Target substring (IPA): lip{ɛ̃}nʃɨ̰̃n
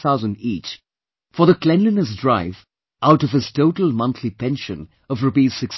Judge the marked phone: correct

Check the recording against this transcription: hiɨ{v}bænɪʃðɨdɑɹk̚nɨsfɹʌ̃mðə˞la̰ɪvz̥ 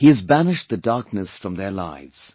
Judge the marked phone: incorrect: z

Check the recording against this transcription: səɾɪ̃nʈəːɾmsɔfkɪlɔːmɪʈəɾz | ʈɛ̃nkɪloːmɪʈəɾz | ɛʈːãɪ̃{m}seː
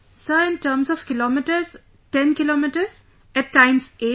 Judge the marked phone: correct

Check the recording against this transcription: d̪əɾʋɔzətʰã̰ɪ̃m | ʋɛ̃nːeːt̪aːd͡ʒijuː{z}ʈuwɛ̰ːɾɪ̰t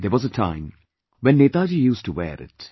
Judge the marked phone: incorrect: s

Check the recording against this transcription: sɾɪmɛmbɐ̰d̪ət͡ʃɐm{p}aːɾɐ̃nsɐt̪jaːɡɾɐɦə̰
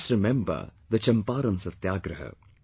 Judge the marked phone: correct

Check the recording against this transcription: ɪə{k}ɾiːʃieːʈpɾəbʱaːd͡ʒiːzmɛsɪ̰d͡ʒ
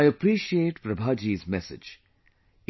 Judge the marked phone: incorrect: p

